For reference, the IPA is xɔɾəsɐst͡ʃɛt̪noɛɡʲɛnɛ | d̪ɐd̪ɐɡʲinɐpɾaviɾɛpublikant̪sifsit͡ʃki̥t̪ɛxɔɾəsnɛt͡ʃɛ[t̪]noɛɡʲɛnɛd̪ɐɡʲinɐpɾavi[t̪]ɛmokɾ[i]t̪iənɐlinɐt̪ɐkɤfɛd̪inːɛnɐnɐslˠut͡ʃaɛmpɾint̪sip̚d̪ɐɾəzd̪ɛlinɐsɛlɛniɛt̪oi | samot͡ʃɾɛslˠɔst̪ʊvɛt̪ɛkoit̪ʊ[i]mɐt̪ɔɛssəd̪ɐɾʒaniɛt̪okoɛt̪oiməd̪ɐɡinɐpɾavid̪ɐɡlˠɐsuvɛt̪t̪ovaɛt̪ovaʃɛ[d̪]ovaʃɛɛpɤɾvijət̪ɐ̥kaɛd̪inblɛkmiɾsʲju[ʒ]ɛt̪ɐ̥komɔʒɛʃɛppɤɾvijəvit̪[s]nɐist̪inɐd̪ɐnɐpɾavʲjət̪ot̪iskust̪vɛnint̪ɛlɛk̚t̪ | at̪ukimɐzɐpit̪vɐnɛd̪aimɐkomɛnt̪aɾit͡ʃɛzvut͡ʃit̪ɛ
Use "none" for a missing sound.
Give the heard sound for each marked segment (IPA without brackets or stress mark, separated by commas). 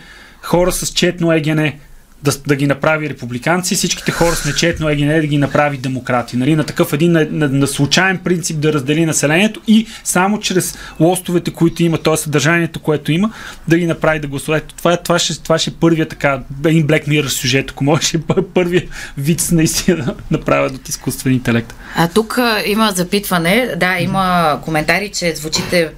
t̪, d̪, a, i, t̪, ʒ, s